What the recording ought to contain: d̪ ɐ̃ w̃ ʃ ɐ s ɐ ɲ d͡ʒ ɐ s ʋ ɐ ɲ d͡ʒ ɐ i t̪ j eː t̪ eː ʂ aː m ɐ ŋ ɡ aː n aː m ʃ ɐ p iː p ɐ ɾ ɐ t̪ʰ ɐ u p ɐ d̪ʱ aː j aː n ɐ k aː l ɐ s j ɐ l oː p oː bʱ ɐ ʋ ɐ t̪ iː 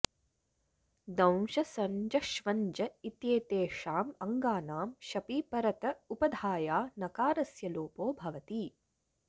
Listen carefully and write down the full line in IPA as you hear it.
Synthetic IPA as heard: d̪ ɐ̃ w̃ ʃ ɐ s ɐ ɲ d͡ʒ ɐ ʃ ʋ ɐ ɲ d͡ʒ ɐ i t̪ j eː t̪ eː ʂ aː m ɐ ŋ ɡ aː n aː m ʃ ɐ p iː p ɐ ɾ ɐ t̪ ɐ u p ɐ d̪ʱ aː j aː n ɐ k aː ɾ ɐ s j ɐ l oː p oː bʱ ɐ ʋ ɐ t̪ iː

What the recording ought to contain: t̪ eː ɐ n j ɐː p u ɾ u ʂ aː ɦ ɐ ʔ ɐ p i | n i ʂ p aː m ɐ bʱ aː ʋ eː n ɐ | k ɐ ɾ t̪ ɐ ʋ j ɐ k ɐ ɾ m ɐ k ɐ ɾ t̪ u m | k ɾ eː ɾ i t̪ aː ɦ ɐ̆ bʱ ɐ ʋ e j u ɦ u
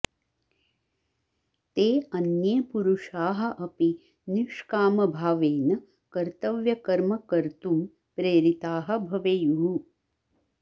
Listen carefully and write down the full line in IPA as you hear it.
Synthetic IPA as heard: t̪ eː ɐ n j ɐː p u ɾ u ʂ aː ɦ ɐ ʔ ɐ p i | n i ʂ k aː m ɐ bʱ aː ʋ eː n ɐ | k ɐ ɾ t̪ ɐ ʋ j ɐ k ɐ ɾ m ɐ k ɐ ɾ t̪ u m | p ɾ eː ɾ i t̪ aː ɦ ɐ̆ bʱ ɐ ʋ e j u ɦ u

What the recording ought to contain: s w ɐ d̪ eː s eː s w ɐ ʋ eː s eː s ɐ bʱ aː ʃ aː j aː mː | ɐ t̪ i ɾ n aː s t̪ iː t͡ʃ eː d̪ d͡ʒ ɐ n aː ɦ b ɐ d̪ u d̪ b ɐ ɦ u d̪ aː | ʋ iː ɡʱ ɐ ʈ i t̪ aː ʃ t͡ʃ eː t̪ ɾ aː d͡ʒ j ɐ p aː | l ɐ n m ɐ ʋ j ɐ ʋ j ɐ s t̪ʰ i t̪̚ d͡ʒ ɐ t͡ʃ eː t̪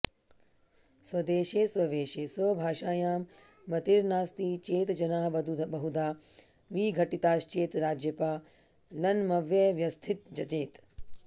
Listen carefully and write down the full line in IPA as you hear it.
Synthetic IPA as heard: s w ɐ d̪ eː ʃ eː s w ɐ ʋ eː ʃ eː s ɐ bʱ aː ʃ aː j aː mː | ɐ t̪ i ɾ n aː s t̪ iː t͡ʃ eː t̪ d͡ʒ ɐ n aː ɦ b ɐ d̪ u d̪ b ɐ ɦ u d̪ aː | ʋ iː ɡʱ ɐ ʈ i t̪ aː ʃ t͡ʃ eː t̪ ɾ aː d͡ʒ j ɐ p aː | l ɐ n m ɐ ʋ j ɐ ʋ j ɐ s t̪ʰ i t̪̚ d͡ʒ ɐ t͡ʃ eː t̪

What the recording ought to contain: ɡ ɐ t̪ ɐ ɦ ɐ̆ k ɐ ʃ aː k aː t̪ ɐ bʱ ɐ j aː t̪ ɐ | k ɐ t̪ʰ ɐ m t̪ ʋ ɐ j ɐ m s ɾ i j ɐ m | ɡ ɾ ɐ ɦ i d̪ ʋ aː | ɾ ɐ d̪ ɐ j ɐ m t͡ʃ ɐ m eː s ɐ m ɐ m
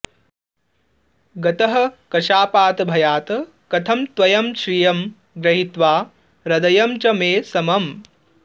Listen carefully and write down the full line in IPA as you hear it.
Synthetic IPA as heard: ɡ ɐ t̪ ɐ ɦ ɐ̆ k ɐ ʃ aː p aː t̪ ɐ bʱ ɐ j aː t̪ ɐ | k ɐ t̪ʰ ɐ m t̪ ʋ ɐ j ɐ m ʃ ɾ i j ɐ m | ɡ ɾ ɐ ɦ i t̪ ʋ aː | ɾ ɐ d̪ ɐ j ɐ m t͡ʃ ɐ m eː s ɐ m ɐ m

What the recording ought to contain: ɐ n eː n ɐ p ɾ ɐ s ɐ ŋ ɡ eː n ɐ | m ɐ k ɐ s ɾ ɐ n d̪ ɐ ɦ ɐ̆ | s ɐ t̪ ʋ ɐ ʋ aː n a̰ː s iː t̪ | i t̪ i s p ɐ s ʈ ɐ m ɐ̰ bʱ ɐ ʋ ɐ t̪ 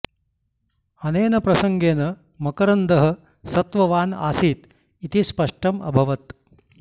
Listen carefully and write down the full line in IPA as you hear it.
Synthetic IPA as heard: ɐ n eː n ɐ p ɾ ɐ s ɐ ŋ ɡ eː n ɐ | m ɐ k ɐ ɾ ɐ n d̪ ɐ ɦ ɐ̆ | s ɐ t̪ ʋ ɐ ʋ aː n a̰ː s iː t̪ | i t̪ i s p ɐ ʂ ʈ ɐ m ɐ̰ bʱ ɐ ʋ ɐ t̪

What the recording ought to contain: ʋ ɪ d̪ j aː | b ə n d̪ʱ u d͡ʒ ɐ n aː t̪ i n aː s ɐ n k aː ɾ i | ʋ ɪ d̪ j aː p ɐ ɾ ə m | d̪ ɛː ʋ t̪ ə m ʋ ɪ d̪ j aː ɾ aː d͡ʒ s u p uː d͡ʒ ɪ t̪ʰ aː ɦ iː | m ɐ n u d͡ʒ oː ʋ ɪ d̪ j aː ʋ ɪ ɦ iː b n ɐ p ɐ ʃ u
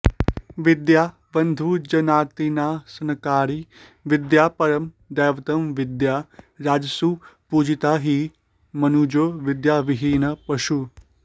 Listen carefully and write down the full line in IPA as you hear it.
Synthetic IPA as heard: ʋ ɪ d̪ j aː | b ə n d̪ʱ u d͡ʒ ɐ n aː t̪ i n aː s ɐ n k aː ɾ i | ʋ ɪ d̪ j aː p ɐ ɾ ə m | d̪ ɛː ʋ t̪ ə m ʋ ɪ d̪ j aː ɾ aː d͡ʒ s u p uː d͡ʒ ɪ t̪ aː ɦ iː | m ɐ n u d͡ʒ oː ʋ ɪ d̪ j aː ʋ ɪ ɦ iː n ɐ p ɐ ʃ u

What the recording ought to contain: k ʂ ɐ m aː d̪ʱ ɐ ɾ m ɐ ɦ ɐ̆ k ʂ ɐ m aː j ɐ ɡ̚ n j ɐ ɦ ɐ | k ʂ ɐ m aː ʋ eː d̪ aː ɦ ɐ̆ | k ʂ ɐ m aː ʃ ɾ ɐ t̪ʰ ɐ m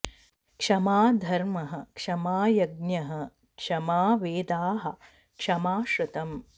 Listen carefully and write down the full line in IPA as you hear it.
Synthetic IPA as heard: k ʂ ɐ m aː d̪ʱ ɐ ɾ m ɐ ɦ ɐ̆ k ʂ ɐ m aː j ɐ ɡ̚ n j ɐ ɦ ɐ | k ʂ ɐ m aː ʋ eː d̪ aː ɦ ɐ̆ | k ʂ ɐ m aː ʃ ɾ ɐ t̪ ɐ m

